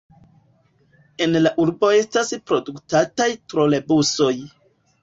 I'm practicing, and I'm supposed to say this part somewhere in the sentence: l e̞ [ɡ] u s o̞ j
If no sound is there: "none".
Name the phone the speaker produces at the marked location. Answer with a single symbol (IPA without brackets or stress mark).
b